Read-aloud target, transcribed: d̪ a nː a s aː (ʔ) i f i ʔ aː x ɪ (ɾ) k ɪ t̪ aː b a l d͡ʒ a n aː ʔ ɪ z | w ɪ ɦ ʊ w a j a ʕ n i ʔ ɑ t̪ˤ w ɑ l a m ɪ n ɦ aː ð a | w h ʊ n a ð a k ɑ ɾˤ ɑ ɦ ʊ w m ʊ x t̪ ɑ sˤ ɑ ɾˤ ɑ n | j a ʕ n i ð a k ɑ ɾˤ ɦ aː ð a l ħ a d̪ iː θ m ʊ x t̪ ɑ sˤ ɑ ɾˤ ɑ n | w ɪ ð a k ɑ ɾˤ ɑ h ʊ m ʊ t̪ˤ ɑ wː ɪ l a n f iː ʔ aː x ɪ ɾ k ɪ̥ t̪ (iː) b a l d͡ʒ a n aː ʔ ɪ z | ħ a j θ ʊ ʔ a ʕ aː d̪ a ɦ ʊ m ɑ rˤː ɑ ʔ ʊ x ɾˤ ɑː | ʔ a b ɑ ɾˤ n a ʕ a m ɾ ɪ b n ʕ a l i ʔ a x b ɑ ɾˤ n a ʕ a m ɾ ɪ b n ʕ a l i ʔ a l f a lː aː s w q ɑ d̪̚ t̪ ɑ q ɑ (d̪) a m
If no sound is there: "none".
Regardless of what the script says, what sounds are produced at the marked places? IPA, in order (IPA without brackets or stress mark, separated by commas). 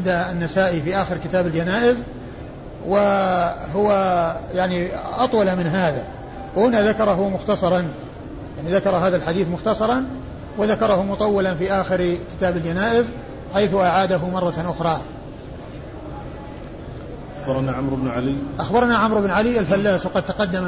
ʔ, ɾ, aː, d̪ː